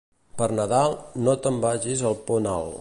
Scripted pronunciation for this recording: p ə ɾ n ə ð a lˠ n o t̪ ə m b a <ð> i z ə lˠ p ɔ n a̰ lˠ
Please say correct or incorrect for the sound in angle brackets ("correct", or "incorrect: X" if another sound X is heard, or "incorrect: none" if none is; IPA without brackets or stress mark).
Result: incorrect: ʒ